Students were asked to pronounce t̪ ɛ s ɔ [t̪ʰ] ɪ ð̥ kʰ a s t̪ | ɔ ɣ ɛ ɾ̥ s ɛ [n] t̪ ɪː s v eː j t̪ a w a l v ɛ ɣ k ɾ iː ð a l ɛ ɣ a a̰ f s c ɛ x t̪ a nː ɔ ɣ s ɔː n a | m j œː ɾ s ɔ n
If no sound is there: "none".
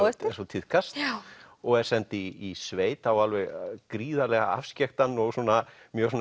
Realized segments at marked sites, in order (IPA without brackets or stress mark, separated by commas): t̪ʰ, n